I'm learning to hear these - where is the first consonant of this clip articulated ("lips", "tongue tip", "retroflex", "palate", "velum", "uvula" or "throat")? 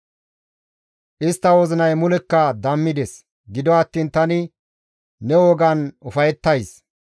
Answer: throat